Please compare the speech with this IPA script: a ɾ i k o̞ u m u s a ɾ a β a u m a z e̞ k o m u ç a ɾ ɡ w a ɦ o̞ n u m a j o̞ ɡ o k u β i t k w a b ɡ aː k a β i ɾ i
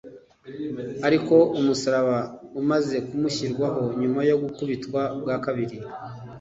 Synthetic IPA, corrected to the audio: a ɾ i k o̞ u m u s a ɾ a β a u m a z e̞ k u m u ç i ɾ ɡ w a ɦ o̞ ɲ u m a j o̞ ɡ u k u β i t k w a b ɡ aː k a β i ɾ i